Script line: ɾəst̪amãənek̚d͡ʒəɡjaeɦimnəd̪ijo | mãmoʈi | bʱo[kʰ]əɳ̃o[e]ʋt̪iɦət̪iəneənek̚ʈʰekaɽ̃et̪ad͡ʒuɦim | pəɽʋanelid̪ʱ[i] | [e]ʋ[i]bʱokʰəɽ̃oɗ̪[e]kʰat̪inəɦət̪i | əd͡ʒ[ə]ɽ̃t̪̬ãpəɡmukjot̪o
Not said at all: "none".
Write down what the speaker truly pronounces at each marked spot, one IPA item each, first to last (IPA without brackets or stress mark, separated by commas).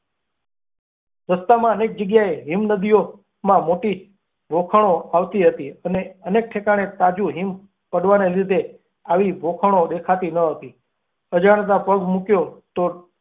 kʰ, a, e, a, i, e, a